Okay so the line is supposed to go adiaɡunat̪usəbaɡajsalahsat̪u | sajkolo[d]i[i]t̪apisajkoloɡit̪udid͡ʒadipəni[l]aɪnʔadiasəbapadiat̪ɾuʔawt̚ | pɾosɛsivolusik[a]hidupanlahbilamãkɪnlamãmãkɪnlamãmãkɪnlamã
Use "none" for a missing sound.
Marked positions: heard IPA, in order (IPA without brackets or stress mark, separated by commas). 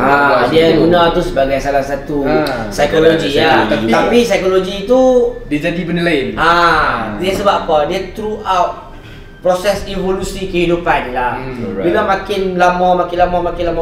ɡ, a, l, ə